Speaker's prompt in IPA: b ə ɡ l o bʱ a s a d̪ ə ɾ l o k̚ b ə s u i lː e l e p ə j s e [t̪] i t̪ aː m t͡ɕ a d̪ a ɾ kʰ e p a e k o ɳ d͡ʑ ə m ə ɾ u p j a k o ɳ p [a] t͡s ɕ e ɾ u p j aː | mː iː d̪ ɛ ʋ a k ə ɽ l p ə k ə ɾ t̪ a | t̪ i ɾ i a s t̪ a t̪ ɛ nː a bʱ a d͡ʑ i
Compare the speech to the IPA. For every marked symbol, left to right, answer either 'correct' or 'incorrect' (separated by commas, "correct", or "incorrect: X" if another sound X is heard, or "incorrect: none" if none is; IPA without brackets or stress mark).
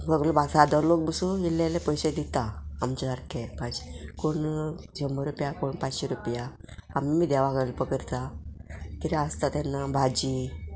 incorrect: d̪, correct